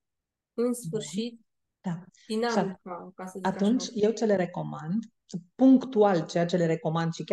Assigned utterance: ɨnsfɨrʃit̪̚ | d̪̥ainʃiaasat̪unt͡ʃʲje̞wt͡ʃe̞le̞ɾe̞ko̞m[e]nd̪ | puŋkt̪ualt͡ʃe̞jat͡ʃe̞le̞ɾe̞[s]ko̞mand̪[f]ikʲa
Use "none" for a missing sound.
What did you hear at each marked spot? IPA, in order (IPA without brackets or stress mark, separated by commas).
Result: a, none, ʃ